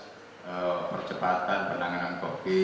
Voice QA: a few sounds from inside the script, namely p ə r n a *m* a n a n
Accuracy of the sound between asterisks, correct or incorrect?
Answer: incorrect: ŋ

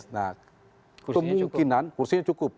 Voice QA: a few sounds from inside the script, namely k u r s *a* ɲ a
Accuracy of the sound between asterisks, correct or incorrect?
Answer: incorrect: i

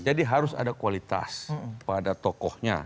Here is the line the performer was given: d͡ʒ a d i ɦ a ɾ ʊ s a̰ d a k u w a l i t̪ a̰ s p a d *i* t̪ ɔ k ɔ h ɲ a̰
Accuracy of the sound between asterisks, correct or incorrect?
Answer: incorrect: a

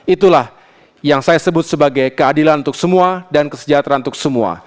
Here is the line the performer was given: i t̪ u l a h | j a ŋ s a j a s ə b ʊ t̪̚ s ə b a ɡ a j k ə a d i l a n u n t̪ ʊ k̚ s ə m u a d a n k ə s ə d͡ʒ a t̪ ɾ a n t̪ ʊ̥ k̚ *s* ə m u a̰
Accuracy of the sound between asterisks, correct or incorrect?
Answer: correct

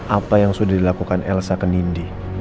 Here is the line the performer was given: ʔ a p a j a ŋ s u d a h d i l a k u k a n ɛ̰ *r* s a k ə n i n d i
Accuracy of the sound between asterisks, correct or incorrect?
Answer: incorrect: l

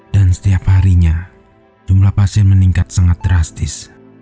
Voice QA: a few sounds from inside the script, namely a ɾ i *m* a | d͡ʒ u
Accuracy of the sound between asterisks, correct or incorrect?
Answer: incorrect: ɲ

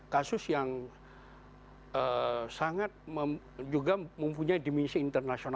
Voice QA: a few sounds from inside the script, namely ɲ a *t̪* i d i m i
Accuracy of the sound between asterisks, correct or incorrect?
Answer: incorrect: none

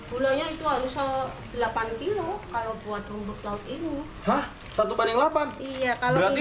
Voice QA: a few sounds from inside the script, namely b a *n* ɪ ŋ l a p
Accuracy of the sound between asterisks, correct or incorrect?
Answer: correct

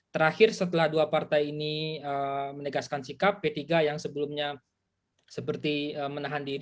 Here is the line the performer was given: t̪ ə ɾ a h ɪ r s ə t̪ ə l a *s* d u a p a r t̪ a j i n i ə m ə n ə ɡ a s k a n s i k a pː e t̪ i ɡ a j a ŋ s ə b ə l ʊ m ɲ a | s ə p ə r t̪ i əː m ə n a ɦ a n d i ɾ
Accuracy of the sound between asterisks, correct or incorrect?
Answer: incorrect: h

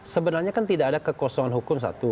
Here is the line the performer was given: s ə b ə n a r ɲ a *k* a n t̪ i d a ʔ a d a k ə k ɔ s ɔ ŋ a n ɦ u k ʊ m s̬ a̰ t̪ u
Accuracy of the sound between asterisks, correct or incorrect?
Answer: correct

